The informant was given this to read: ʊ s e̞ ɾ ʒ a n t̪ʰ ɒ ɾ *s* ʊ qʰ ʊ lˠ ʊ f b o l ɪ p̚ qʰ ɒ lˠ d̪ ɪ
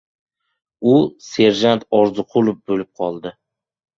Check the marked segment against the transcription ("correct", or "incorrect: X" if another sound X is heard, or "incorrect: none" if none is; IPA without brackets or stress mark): incorrect: z